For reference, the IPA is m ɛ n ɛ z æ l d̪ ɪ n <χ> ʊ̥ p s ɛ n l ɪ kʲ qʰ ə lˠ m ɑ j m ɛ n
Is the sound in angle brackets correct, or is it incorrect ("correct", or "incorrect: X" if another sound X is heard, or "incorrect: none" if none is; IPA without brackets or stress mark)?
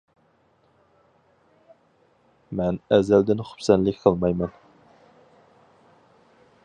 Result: correct